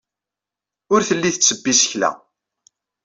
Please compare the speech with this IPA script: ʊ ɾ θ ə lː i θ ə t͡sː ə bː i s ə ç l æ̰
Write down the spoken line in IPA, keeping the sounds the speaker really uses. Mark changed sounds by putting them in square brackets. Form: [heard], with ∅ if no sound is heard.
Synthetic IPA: ʊ ɾ θ ə lː i θ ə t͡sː ə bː i s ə ç l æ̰